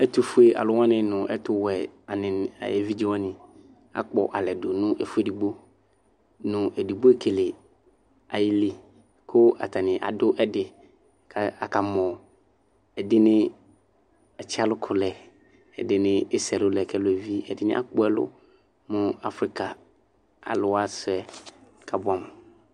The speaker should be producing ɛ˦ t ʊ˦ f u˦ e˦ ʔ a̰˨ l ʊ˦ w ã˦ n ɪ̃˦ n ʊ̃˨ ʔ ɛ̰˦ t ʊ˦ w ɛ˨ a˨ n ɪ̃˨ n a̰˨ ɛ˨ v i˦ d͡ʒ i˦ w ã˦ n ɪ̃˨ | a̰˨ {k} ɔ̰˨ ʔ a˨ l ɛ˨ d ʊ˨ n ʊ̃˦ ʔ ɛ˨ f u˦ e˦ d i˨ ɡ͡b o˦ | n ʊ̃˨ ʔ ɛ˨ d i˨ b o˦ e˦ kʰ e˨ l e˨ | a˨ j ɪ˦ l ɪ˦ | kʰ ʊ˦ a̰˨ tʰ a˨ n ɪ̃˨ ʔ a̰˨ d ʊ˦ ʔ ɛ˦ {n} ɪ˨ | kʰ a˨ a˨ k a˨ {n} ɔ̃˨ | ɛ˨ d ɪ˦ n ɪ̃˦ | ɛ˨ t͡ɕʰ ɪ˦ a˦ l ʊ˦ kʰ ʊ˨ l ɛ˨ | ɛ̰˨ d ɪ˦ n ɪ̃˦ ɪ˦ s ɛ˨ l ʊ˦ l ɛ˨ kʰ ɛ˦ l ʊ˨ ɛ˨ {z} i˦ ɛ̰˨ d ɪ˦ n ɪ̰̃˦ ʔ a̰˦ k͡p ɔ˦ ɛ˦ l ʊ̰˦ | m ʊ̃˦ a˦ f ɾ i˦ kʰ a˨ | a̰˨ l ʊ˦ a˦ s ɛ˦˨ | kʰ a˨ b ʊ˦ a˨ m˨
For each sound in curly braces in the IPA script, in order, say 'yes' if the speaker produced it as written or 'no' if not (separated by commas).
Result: no, no, no, no